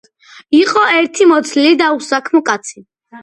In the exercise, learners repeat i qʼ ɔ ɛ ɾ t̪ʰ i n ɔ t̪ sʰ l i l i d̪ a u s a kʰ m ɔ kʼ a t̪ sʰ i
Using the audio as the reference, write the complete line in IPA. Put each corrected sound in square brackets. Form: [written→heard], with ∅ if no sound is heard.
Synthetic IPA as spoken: i qʼ ɔ ɛ ɾ t̪ʰ i [n→m] ɔ t̪ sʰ l i l i d̪ a u s a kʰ m ɔ kʼ a t̪ sʰ i